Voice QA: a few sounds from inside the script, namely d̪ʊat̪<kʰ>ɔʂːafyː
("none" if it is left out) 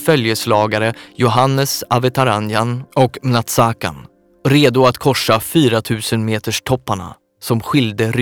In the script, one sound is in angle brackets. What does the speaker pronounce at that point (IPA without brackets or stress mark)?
kʰ